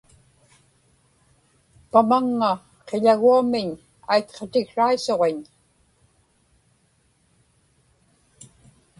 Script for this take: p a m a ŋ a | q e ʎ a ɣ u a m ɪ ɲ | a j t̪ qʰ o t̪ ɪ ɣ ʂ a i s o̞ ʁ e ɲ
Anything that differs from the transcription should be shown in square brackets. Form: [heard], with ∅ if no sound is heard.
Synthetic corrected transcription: p a m a [ŋː] a | q e ʎ a ɣ u a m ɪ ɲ | a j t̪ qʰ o t̪ ɪ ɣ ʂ a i s o̞ ʁ e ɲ

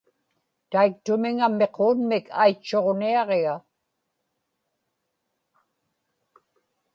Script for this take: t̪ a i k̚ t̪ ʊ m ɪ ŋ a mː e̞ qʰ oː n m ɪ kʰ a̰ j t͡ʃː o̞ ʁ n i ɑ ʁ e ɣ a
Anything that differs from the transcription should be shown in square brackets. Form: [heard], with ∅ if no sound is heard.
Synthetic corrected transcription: t̪ a i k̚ t̪ ʊ m ɪ ŋ a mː e̞ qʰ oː n m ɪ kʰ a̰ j t͡ʃː o̞ ʁ n i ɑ ʁ e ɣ a

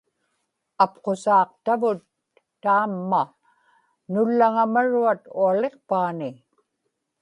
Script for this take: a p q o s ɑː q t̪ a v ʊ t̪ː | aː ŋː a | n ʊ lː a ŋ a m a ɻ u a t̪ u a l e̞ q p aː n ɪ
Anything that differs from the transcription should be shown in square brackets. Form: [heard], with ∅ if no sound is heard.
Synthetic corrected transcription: a p q o s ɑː q t̪ a v ʊ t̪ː | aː [mː] a | n ʊ lː a ŋ a m a ɻ u a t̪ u a l e̞ q p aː n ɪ

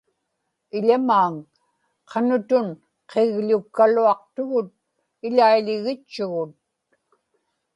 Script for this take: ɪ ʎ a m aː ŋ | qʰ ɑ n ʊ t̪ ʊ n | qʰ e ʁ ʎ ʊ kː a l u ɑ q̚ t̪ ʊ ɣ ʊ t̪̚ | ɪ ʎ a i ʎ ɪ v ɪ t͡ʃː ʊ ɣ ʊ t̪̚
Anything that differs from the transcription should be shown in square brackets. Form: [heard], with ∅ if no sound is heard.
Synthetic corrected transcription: ɪ ʎ a m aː ŋ | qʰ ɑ n ʊ t̪ ʊ n | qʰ e [ɣ] ʎ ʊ kː a l u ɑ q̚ t̪ ʊ ɣ ʊ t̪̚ | ɪ ʎ a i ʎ ɪ [ɣ] ɪ t͡ʃː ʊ ɣ ʊ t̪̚

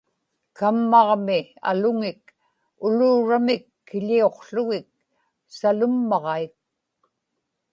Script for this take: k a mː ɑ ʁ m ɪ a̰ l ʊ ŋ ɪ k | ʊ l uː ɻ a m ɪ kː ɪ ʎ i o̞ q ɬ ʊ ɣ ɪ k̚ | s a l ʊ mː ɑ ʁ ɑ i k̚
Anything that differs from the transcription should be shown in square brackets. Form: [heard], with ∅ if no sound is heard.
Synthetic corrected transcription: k a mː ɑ ʁ m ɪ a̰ l ʊ ŋ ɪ k | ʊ l uː ɻ a m ɪ kː ɪ ʎ i o̞ q ɬ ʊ ɣ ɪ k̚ | s a l ʊ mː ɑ ʁ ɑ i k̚

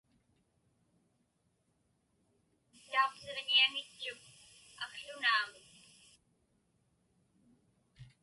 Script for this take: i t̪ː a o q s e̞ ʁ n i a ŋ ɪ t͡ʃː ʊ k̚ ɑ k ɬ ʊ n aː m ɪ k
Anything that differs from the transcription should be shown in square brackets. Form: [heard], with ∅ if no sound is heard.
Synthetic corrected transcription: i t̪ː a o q s e̞ ʁ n i a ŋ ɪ t͡ʃː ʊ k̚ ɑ k ɬ ʊ n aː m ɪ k

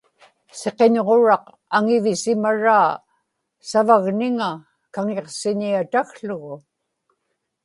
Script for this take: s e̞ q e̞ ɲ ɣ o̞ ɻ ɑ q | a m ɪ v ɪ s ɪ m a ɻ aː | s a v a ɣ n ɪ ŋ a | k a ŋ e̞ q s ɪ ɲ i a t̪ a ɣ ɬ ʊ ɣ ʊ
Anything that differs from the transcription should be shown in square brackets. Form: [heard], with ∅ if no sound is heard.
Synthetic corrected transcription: s e̞ q e̞ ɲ [ʁ] o̞ ɻ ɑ q | a [ŋ] ɪ v ɪ s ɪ m a ɻ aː | s a v a ɣ n ɪ ŋ a | k a ŋ e̞ q s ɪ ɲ i a t̪ a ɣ ɬ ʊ ɣ ʊ

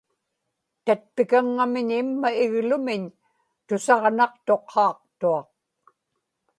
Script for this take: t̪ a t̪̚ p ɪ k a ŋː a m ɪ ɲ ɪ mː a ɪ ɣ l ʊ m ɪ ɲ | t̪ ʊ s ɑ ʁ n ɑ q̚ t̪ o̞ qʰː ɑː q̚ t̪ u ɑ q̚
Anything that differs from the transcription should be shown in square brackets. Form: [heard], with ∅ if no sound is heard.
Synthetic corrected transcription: t̪ a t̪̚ p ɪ k a ŋː a m ɪ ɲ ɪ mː a ɪ ɣ l ʊ m ɪ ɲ | t̪ ʊ s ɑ ʁ n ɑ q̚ t̪ o̞ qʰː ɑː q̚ t̪ u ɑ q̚

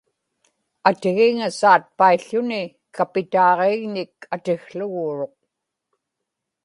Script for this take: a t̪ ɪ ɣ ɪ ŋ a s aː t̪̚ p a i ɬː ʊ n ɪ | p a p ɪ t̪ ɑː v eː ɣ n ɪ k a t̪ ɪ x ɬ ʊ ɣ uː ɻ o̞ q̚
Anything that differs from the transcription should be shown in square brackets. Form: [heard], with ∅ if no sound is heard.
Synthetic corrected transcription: a t̪ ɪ ɣ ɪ ŋ a s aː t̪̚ p a i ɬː ʊ n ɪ | [k] a p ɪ t̪ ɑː [ʁ] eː ɣ n ɪ k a t̪ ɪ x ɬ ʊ ɣ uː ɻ o̞ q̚

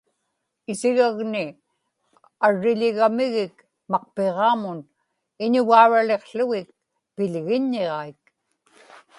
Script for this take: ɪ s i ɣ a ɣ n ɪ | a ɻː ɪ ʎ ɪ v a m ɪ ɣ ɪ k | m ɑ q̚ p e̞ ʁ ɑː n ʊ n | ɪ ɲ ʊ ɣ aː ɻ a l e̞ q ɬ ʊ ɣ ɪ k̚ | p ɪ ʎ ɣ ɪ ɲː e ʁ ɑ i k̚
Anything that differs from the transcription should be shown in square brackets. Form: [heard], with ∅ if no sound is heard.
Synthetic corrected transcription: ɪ s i ɣ a ɣ n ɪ | a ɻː ɪ ʎ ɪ [ɣ] a m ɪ ɣ ɪ k | m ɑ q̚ p e̞ ʁ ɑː [m] ʊ n | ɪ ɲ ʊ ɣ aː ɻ a l e̞ q ɬ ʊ ɣ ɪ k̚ | p ɪ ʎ ɣ ɪ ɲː e ʁ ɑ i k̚

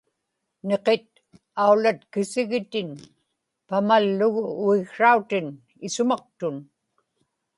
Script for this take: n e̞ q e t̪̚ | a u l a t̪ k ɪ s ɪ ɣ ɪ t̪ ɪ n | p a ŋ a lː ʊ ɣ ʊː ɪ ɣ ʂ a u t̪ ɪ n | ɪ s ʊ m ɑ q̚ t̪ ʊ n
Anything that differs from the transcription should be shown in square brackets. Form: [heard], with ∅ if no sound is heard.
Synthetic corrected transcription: n e̞ q e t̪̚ | a u l a t̪ k ɪ s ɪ ɣ ɪ t̪ ɪ n | p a [m] a lː ʊ ɣ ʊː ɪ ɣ ʂ a u t̪ ɪ n | ɪ s ʊ m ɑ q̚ t̪ ʊ n

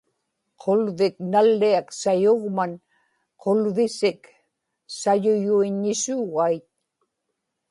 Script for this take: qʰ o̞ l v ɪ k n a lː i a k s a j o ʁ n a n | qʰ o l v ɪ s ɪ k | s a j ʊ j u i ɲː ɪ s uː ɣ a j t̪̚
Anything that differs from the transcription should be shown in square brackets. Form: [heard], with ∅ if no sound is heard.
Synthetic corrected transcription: qʰ o̞ l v ɪ k n a lː i a k s a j o ʁ [m] a n | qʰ o l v ɪ s ɪ k | s a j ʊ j u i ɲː ɪ s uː ɣ a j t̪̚

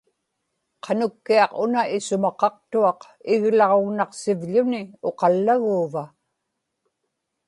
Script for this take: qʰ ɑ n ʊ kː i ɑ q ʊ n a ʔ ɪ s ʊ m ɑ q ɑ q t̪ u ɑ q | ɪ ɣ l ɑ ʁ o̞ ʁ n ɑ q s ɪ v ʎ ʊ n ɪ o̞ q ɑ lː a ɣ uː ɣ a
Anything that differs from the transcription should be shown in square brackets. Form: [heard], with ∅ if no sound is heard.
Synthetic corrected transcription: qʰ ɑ n ʊ kː i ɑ q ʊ n a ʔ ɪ s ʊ m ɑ q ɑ q t̪ u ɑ q | ɪ ɣ l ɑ ʁ o̞ [ɣ] n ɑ q s ɪ v ʎ ʊ n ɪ o̞ q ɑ lː a ɣ uː [v] a

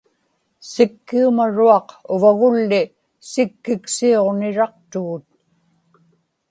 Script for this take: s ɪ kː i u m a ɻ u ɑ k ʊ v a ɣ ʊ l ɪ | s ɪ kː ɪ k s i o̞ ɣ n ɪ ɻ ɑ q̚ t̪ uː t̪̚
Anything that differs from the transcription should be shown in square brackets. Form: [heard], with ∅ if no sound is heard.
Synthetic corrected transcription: s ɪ kː i u m a ɻ u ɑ [q] ʊ v a ɣ ʊ [lː] ɪ | s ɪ kː ɪ k s i o̞ [ʁ] n ɪ ɻ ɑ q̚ t̪ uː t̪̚

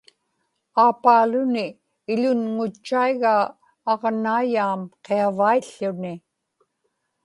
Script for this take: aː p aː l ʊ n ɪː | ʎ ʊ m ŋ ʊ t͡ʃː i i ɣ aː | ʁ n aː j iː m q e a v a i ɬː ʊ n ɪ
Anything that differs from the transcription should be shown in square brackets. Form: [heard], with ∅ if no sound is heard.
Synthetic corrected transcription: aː p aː l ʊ n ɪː | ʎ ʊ [n] ŋ ʊ t͡ʃː [a] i ɣ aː | ʁ n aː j [aː] m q e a v a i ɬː ʊ n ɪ

